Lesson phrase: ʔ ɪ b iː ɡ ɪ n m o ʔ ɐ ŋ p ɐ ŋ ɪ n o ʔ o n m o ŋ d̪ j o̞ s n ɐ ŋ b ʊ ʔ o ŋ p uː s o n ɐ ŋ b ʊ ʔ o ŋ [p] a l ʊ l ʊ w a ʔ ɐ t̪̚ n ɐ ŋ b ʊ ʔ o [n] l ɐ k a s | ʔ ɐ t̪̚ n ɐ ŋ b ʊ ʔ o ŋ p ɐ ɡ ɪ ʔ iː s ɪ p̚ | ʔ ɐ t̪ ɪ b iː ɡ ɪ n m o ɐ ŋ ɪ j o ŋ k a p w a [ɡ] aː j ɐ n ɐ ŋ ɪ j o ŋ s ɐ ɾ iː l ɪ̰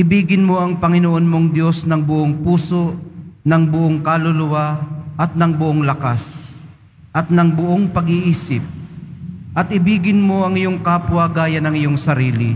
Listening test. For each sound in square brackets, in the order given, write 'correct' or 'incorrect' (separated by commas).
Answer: incorrect, incorrect, correct